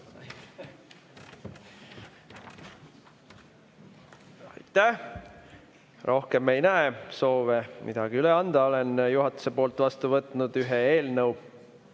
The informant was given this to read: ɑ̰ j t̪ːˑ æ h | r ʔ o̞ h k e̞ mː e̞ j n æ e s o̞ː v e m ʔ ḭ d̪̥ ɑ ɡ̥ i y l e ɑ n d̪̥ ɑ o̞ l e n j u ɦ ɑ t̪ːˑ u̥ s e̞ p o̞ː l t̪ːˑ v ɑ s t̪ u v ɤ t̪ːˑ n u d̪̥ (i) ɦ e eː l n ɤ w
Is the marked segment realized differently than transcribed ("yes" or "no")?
yes